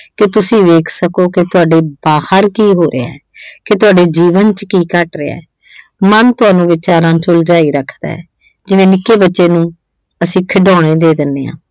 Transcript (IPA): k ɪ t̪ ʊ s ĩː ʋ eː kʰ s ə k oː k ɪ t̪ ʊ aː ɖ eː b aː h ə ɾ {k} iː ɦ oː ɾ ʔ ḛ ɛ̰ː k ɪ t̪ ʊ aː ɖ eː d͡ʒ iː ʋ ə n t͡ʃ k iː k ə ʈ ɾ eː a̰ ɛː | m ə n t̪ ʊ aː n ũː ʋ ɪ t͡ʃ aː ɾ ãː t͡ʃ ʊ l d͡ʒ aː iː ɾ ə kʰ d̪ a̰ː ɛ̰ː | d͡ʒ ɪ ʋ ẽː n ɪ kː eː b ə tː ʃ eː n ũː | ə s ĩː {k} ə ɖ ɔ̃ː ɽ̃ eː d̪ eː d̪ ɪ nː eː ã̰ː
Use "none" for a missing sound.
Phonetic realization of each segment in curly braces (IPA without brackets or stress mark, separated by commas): k, kʰ